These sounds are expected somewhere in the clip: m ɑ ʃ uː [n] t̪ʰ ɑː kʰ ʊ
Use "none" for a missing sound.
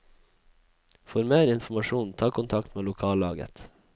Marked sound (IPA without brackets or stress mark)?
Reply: n